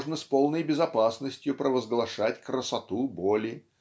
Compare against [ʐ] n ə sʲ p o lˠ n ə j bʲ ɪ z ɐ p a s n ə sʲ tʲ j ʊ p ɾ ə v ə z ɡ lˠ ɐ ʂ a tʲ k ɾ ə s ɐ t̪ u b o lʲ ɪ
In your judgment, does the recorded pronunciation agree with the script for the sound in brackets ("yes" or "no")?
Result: yes